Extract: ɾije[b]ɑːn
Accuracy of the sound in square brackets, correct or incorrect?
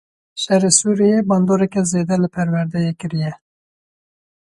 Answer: correct